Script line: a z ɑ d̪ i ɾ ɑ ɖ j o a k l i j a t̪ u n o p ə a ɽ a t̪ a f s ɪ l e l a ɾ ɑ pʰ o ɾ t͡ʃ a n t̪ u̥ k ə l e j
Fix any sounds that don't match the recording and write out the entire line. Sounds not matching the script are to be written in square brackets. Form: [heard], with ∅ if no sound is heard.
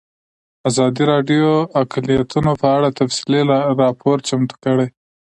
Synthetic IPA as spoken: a z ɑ d̪ i ɾ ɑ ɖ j o a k l i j a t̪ u n o p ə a ɽ a t̪ a f s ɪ l e l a ɾ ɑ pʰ o ɾ t͡ʃ a [m] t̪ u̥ k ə [ɽ] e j